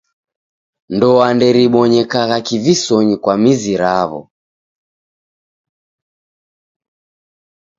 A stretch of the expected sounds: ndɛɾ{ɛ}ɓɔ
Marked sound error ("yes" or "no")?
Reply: yes